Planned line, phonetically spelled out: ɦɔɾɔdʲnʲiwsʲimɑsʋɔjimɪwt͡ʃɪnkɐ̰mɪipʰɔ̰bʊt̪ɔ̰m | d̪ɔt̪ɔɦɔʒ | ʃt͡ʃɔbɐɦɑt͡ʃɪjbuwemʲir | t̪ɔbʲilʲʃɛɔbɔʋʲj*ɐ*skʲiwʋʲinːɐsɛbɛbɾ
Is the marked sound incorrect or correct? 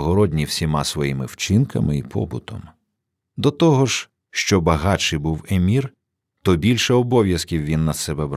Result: correct